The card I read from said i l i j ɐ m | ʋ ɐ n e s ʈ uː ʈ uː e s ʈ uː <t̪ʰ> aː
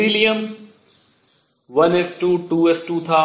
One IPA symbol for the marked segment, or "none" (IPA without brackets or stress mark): t̪ʰ